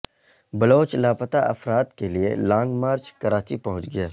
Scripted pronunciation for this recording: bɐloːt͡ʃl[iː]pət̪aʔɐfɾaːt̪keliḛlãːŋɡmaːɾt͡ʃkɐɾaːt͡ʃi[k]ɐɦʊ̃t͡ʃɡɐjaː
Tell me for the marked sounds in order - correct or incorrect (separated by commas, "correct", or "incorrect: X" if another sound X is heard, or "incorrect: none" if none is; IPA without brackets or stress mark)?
incorrect: aː, incorrect: p